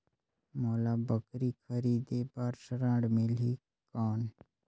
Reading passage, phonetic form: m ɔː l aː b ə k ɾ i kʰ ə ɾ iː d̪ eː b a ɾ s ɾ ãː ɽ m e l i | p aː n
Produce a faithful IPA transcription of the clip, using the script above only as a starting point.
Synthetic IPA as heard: m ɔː l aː b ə k ɾ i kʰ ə ɾ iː d̪ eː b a ɾ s ɾ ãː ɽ m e l i | k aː n